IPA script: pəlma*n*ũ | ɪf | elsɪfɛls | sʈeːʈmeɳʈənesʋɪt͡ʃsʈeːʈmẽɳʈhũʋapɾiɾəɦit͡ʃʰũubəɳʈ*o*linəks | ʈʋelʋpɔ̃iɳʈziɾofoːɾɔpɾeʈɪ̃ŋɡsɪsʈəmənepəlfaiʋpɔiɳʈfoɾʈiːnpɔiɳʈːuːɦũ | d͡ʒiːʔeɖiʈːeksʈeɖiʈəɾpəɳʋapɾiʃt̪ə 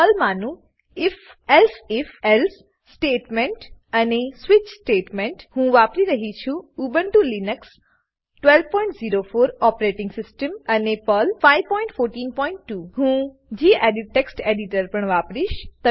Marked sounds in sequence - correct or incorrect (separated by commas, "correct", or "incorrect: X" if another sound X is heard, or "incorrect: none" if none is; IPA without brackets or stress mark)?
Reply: correct, incorrect: u